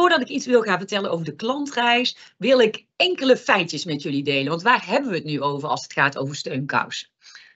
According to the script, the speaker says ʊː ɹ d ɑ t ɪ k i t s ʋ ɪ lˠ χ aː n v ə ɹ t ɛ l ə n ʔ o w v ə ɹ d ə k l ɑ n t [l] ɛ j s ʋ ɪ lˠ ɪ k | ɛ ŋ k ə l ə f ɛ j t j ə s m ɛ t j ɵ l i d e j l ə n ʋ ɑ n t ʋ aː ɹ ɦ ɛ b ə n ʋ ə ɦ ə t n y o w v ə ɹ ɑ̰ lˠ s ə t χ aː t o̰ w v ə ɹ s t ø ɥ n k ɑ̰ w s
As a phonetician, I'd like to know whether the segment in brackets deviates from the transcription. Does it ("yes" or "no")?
yes